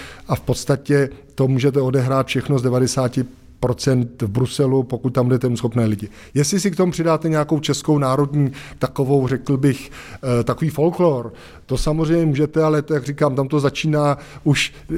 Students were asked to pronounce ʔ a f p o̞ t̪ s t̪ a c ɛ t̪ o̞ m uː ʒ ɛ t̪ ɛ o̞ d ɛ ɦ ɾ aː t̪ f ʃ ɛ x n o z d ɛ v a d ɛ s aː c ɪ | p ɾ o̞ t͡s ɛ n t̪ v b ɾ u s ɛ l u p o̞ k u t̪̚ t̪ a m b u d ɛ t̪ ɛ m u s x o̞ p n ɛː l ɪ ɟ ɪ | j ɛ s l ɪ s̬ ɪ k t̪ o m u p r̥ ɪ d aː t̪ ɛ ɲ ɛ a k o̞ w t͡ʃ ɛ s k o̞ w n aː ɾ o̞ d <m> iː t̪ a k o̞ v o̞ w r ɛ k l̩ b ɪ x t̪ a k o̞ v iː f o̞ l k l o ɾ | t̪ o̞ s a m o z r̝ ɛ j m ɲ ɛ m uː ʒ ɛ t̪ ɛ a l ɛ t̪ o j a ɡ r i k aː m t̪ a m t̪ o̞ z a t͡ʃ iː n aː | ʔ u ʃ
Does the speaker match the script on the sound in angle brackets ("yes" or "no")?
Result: no